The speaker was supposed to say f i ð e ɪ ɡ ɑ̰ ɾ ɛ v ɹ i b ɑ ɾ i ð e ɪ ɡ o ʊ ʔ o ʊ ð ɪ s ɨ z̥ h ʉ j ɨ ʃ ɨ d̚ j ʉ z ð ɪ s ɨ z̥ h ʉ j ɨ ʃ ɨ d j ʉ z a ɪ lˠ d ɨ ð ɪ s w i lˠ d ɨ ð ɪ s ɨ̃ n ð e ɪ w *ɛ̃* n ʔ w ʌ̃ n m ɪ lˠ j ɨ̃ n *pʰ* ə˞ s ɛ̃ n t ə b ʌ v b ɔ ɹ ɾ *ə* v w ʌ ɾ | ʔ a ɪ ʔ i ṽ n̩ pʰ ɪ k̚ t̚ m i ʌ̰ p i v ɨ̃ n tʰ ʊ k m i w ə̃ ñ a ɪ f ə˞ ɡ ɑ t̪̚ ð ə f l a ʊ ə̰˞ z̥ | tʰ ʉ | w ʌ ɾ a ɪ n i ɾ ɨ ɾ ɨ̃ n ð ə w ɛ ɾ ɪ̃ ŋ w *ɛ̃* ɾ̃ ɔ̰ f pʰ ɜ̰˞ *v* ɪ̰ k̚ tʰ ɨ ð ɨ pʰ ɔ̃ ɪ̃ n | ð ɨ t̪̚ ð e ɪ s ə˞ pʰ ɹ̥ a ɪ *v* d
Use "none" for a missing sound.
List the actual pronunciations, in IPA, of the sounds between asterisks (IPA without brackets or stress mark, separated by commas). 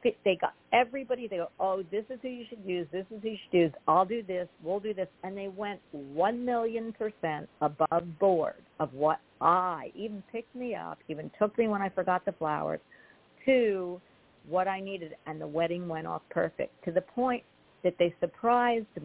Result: ɛ̃, pʰ, ʌ, ɛ̃, f, z